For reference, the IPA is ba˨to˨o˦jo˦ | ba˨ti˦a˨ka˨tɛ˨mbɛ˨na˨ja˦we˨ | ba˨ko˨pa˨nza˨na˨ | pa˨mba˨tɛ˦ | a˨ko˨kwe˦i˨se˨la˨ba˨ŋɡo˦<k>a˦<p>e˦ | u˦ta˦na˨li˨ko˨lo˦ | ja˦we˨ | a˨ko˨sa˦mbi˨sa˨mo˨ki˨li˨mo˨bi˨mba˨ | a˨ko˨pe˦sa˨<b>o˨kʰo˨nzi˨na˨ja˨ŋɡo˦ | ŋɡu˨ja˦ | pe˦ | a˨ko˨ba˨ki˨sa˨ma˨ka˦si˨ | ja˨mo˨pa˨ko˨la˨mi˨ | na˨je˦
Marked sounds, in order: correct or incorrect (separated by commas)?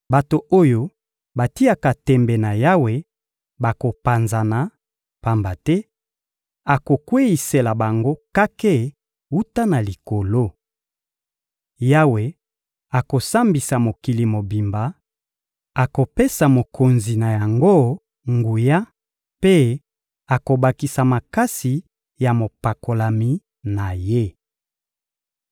correct, incorrect, incorrect